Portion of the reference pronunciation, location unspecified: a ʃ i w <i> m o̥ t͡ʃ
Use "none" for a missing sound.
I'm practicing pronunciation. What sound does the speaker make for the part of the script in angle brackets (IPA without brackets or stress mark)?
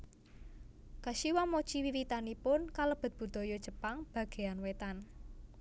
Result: a